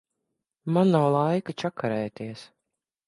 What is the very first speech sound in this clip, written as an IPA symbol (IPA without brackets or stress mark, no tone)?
m